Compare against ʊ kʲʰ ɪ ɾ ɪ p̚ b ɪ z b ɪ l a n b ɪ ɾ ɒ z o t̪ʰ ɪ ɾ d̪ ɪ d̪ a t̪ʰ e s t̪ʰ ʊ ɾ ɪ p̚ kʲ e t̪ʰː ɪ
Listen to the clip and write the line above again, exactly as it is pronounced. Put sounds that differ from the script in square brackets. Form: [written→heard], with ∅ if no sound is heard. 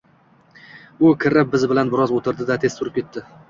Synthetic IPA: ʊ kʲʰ ɪ ɾ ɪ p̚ b ɪ z b ɪ l a n b ɪ ɾ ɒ z o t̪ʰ ɪ ɾ d̪ ɪ d̪ a t̪ʰ e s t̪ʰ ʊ ɾ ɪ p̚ kʲ e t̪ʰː ɪ